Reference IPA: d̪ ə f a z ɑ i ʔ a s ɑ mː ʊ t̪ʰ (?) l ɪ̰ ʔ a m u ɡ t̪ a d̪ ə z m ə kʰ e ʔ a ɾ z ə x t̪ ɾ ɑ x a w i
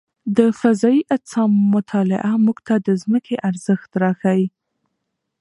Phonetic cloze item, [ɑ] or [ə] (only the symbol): ɑ